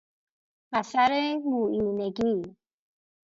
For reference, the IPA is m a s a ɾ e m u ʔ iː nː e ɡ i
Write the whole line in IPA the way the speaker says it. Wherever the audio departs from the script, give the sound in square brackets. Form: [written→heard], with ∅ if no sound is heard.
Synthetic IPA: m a s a ɾ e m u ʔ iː [nː→n] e ɡ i